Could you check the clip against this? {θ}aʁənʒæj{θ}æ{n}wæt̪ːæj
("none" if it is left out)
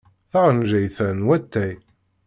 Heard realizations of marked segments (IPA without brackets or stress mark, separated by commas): θ, θ, n